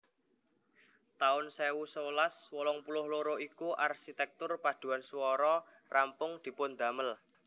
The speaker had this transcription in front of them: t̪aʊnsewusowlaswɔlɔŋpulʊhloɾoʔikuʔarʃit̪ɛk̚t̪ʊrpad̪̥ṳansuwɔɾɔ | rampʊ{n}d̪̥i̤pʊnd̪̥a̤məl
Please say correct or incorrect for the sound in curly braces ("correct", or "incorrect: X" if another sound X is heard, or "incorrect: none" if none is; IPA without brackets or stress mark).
incorrect: ŋ